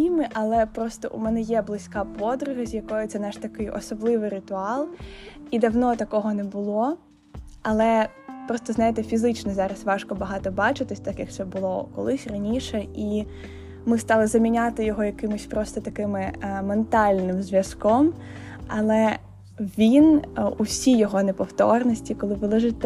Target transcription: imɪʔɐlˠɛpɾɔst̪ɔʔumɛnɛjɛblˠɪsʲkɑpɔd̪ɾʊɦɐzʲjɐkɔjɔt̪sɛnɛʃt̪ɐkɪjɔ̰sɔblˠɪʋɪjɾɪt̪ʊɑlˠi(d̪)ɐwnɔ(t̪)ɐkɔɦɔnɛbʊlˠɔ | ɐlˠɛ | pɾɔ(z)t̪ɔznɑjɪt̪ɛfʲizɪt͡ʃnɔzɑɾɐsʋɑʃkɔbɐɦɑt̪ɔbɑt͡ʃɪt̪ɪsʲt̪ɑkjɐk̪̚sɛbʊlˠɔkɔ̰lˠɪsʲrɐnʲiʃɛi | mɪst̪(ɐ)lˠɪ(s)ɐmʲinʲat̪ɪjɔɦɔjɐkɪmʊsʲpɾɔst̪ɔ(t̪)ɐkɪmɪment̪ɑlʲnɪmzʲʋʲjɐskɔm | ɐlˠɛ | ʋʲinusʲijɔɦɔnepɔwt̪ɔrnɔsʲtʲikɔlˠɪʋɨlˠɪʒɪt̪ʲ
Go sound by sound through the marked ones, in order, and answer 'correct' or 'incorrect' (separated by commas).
correct, correct, incorrect, incorrect, incorrect, correct